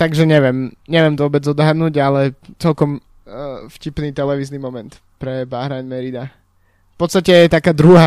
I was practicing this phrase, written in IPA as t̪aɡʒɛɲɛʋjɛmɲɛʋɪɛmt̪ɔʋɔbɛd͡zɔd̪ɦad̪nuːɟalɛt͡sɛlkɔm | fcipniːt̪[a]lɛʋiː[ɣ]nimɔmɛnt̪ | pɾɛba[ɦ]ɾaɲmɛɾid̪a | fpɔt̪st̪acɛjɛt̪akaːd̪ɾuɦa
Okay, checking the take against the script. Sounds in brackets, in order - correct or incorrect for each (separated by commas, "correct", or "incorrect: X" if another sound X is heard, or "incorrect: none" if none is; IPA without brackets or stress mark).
incorrect: ɛ, incorrect: z, correct